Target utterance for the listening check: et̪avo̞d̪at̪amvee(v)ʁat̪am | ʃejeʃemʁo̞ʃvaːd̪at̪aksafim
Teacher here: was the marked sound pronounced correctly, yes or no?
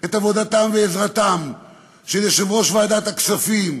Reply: no